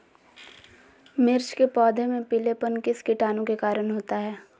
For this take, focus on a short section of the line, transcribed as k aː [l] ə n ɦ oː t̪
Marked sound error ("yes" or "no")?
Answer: yes